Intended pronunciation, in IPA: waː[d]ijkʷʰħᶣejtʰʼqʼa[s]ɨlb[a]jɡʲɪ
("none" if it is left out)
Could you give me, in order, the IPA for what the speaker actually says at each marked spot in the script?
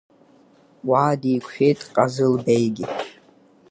d, z, e

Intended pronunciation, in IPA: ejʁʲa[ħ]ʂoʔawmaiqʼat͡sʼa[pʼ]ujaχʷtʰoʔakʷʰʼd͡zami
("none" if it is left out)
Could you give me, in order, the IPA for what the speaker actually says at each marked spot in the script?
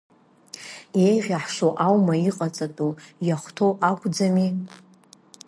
ħ, tʼ

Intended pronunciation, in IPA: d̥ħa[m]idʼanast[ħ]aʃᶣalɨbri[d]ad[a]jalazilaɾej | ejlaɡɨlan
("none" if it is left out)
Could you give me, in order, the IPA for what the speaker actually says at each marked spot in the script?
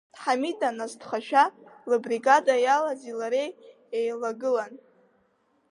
m, χ, ɡ, a

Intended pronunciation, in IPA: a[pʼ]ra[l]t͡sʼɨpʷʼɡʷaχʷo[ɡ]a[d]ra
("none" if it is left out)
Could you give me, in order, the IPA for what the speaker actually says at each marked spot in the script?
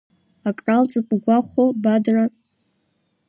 kʼ, l, b, d

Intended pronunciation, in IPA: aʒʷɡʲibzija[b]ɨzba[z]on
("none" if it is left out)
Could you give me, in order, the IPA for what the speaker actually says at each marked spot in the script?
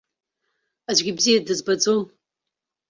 d, d͡z

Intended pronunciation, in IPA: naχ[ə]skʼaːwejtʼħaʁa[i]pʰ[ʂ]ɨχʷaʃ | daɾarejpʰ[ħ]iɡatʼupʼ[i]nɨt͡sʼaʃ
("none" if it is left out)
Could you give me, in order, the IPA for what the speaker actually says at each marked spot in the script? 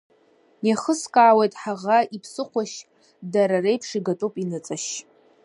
ə, i, s, ʂ, i

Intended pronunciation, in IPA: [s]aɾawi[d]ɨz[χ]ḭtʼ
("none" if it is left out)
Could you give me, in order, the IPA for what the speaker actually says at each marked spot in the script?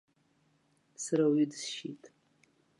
s, d, ʃ

